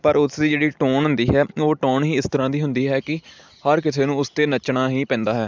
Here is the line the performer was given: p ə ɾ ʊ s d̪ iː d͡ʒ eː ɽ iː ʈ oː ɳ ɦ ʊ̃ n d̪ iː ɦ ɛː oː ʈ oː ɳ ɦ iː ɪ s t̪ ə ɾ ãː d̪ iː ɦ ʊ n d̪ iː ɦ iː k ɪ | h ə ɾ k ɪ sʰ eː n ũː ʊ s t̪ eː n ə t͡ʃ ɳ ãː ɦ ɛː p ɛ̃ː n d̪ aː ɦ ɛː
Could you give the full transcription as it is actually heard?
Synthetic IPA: p ə ɾ ʊ s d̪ iː d͡ʒ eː ɽ iː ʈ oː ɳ ɦ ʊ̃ n d̪ iː ɦ ɛː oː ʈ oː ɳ ɦ iː ɪ s t̪ ə ɾ ãː d̪ iː ɦ ʊ n d̪ iː ɦ ɛː k ɪ | h ə ɾ k ɪ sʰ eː n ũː ʊ s t̪ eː n ə t͡ʃ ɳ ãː ɦ iː p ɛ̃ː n d̪ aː ɦ ɛː

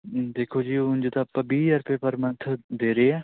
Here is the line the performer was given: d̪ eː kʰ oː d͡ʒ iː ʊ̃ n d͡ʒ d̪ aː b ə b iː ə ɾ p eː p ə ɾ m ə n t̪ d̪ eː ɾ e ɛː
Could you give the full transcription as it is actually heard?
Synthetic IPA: d̪ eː kʰ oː d͡ʒ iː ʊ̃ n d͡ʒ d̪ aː p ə b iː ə ɾ p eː p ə ɾ m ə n t̪ʰ d̪ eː ɾ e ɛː

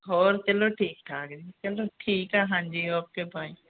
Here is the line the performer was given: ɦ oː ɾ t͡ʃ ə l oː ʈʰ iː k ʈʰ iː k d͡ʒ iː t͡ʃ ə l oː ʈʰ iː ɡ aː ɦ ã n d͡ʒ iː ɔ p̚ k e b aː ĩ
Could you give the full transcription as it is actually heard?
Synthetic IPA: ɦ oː ɾ t͡ʃ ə l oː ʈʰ iː k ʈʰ aː k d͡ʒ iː t͡ʃ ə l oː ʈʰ iː k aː ɦ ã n d͡ʒ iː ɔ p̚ k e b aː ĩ

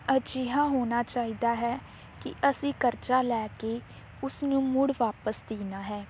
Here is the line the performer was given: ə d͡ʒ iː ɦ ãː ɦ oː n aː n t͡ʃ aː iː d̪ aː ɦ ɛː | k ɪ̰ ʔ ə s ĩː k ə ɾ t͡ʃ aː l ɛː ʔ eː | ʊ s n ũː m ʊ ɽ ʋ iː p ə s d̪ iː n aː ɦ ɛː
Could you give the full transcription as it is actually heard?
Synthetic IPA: ə d͡ʒ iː ɦ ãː ɦ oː n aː t͡ʃ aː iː d̪ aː ɦ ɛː | k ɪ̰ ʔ ə s ĩː k ə ɾ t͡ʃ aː l ɛː k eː | ʊ s n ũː m ʊ ɽ ʋ aː p ə s d̪ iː n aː ɦ ɛː

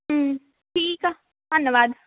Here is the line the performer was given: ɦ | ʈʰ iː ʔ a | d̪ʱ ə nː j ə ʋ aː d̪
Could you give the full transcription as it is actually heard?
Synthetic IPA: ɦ | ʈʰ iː k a | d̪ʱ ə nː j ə ʋ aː d̪

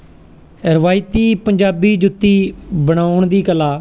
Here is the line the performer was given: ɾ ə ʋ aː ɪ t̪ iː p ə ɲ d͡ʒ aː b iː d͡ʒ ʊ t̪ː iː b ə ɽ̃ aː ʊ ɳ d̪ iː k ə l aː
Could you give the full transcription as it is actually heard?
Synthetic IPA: ɾ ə ʋ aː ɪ t̪ iː p ə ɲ d͡ʒ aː b iː d͡ʒ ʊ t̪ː iː b ə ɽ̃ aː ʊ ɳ d̪ iː k ə l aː

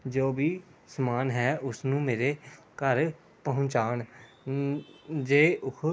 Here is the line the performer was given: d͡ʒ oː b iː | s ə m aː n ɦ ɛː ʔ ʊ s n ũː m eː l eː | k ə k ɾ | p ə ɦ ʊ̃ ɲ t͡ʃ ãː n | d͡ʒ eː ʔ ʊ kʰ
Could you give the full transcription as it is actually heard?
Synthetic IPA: d͡ʒ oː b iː | s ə m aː n ɦ ɛː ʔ ʊ s n ũː m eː ɾ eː | k ə ɾ | p ə ɦ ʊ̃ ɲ t͡ʃ aː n | d͡ʒ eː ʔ ʊ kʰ

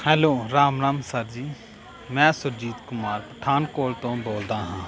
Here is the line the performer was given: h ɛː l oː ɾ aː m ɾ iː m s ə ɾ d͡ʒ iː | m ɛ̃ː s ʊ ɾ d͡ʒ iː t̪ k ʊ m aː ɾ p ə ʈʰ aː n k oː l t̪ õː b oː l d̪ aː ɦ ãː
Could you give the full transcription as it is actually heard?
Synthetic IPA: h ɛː l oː ɾ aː m ɾ aː m s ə ɾ d͡ʒ iː | m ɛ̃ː s ʊ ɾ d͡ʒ iː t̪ k ʊ m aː ɾ p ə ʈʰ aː n k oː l t̪ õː b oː l d̪ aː ɦ ãː

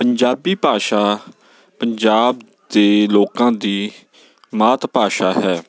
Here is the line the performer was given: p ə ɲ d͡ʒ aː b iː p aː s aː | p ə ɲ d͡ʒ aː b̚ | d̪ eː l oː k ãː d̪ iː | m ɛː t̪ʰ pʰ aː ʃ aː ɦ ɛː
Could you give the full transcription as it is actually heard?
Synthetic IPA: p ə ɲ d͡ʒ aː b iː p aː ʃ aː | p ə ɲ d͡ʒ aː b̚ | d̪ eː l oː k ãː d̪ iː | m aː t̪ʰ p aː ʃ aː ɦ ɛː

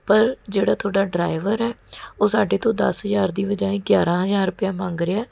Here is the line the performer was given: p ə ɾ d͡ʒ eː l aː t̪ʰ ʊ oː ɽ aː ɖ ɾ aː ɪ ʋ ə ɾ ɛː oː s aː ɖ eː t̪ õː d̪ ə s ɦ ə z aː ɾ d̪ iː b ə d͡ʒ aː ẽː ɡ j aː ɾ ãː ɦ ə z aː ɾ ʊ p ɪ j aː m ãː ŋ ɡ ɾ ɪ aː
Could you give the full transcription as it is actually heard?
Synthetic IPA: p ə ɾ d͡ʒ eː ɽ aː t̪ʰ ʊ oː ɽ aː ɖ ɾ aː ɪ ʋ ə ɾ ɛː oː s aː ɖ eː t̪ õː d̪ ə s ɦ ə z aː ɾ d̪ iː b ə d͡ʒ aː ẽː ɡ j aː ɾ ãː ɦ ə z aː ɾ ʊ p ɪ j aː m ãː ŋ ɡ ɾ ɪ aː

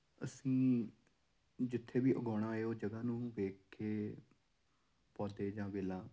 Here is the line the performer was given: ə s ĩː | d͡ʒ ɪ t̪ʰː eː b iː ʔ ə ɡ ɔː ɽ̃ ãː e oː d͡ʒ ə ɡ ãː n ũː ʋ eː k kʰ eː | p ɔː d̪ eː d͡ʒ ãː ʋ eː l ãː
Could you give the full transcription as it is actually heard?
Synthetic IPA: ə s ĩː | d͡ʒ ɪ t̪ʰː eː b iː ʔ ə ɡ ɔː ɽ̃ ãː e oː d͡ʒ ə ɡ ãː n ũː ʋ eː k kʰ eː | p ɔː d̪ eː d͡ʒ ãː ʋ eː l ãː

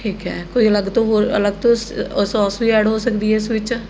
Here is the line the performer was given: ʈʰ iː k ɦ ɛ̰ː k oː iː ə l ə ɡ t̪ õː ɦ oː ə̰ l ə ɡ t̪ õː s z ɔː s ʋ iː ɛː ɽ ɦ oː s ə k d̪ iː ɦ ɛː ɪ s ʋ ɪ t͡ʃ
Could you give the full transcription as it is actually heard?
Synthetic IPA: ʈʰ iː k ɦ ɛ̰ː k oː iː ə l ə ɡ t̪ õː ɦ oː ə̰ l ə ɡ t̪ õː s s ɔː s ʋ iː ɛː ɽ ɦ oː s ə k d̪ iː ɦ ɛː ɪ s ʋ ɪ t͡ʃ

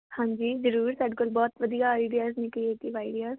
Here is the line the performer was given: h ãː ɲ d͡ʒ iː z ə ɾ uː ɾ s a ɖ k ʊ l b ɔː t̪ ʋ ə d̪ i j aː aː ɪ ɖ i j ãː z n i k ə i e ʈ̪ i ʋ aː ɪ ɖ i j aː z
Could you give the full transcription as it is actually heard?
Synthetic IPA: h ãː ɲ d͡ʒ iː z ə ɾ uː ɾ s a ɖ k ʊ l b ɔː t̪ ʋ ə d̪ i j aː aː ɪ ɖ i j aː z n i k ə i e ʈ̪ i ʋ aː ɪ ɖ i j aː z

